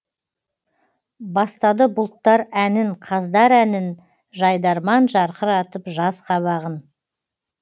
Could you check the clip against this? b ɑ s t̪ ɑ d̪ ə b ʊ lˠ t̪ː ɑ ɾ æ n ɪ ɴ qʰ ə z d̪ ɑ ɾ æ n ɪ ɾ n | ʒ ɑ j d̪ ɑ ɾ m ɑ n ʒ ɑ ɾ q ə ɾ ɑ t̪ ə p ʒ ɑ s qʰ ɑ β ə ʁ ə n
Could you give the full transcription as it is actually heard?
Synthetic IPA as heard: b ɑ s t̪ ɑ d̪ ə b ʊ lˠ t̪ː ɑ ɾ æ n ɪ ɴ qʰ ɑ z d̪ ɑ ɾ æ n ɪ n | ʒ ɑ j d̪ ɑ ɾ m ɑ n ʒ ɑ ɾ q ə ɾ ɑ t̪ ə p ʒ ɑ s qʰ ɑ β ɑ ʁ ə n

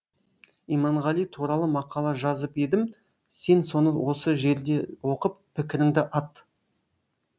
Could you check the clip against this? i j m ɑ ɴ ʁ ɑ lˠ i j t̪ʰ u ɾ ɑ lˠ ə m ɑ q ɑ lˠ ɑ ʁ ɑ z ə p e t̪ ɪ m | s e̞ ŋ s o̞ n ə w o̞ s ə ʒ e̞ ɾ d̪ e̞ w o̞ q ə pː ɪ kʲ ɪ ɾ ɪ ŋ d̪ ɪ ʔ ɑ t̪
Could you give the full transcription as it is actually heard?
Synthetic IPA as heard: i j m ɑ ɴ ʁ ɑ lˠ i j t̪ʰ u ɾ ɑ lˠ ə m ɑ q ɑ lˠ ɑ ʒ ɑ z ə p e d̪ ɪ m | s e̞ n s o̞ n ə w o̞ s ə ʒ e̞ ɾ d̪ e̞ w o̞ q ə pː ɪ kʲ ɪ ɾ ɪ ŋ d̪ ɪ ʔ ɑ t̪

